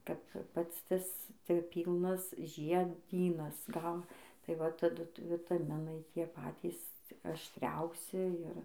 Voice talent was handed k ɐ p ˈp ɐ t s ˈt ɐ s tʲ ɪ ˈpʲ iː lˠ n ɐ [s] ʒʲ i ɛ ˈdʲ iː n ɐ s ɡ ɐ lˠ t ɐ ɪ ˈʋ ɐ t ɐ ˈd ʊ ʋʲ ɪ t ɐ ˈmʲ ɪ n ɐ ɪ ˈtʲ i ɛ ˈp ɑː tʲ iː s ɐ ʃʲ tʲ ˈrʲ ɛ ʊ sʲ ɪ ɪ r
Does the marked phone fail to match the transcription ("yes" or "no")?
no